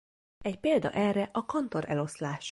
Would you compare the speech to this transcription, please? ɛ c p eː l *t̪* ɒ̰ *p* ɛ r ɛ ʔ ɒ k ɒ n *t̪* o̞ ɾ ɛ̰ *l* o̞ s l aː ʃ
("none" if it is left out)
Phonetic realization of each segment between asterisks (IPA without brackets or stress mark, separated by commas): d̪, ʔ, t̪, l